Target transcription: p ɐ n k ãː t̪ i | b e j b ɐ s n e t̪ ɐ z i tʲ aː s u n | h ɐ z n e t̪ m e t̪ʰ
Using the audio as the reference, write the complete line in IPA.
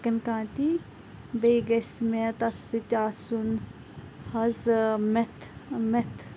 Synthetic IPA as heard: k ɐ n k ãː t̪ i | b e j ɡ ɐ s m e t̪ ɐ s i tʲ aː s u n | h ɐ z m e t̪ m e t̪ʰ